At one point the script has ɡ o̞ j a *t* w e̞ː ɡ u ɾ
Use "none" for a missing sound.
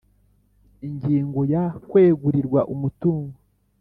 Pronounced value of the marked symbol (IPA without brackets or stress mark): k